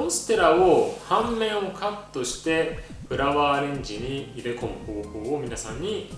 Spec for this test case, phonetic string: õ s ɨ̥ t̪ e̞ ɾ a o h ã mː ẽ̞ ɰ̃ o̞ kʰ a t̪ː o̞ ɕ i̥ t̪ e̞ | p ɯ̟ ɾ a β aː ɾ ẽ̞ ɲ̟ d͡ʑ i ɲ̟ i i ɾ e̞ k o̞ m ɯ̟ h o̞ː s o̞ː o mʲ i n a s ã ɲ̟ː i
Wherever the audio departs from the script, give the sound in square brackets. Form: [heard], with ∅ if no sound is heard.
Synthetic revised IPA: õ s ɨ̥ t̪ e̞ ɾ a o h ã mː ẽ̞ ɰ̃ o̞ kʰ a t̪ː o̞ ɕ i̥ t̪ e̞ | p ɯ̟ ɾ a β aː ɾ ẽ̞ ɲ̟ d͡ʑ i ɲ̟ i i ɾ e̞ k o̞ m ɯ̟ h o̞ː [h] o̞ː o mʲ i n a s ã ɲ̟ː i